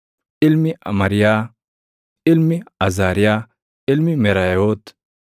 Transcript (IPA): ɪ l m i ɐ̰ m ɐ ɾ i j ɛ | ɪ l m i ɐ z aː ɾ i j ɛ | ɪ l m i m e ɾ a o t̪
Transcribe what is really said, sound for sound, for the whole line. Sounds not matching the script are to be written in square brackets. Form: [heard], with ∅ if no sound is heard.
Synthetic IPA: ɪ l m i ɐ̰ m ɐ ɾ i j [a] | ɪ l m i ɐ z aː ɾ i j [a] | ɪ l m i m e ɾ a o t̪